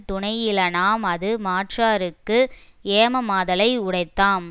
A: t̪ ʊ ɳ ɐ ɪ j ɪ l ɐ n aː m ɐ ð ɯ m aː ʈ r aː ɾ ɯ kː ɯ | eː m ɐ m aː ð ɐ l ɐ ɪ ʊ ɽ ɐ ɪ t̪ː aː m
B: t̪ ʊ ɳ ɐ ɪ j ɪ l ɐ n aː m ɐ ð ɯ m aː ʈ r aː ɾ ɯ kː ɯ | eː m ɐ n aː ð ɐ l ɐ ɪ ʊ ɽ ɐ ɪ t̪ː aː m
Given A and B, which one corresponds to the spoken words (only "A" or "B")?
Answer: A